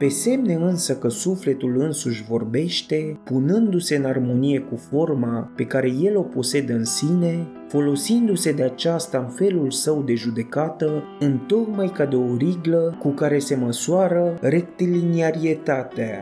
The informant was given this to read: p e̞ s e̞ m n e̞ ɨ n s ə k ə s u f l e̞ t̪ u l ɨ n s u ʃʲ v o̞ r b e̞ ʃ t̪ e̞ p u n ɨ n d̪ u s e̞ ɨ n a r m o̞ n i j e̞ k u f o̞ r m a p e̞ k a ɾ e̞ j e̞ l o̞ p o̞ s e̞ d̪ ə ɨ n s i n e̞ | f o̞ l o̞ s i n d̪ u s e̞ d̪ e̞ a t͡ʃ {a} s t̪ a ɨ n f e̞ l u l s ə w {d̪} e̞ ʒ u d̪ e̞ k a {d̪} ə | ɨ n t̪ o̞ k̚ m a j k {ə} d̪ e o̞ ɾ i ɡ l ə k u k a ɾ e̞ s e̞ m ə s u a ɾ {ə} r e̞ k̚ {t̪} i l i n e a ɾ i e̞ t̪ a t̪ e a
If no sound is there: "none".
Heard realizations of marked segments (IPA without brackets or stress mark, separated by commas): a, d̪, t̪, a, ə, t̪